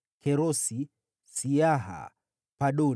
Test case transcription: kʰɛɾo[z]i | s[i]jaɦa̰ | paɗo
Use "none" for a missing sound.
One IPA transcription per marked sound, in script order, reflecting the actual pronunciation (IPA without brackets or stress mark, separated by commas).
s, i